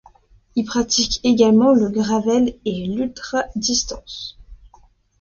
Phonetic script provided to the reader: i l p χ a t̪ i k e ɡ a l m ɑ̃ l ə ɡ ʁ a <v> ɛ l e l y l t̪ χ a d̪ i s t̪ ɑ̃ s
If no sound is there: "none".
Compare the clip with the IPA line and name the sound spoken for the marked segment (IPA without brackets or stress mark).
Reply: v